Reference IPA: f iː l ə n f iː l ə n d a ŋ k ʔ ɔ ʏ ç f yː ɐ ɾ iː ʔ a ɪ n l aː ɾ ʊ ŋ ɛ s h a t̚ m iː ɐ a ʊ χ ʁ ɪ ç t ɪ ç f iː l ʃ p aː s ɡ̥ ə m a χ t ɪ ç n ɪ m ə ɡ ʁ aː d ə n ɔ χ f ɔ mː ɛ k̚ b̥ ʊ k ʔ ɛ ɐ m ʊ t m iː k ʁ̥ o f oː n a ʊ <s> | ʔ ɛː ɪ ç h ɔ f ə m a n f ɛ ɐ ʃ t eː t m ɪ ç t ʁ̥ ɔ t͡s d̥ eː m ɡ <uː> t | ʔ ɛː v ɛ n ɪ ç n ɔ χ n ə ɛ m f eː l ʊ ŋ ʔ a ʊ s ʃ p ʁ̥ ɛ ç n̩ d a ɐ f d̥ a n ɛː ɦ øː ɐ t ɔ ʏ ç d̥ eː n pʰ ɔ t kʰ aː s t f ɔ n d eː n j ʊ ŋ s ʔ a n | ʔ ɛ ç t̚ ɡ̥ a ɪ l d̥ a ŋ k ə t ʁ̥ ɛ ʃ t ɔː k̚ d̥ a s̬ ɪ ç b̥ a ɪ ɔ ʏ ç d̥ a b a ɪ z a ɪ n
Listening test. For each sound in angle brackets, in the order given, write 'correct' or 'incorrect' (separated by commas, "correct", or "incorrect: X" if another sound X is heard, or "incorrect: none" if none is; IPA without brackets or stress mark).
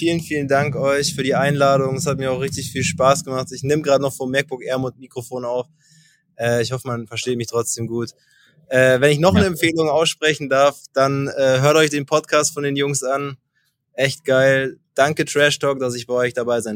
incorrect: f, correct